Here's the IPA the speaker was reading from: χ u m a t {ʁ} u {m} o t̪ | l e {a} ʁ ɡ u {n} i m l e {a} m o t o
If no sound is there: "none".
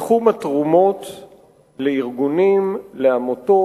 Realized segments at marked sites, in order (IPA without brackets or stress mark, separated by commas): ʁ, m, i, n, a